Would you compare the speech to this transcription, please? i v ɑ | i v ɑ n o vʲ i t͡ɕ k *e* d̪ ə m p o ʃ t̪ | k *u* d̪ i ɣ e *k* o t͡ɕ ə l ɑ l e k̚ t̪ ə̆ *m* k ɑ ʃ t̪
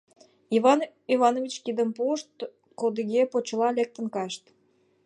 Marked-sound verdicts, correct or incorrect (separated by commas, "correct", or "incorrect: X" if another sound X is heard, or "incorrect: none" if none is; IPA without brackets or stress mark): incorrect: i, incorrect: o, incorrect: p, incorrect: n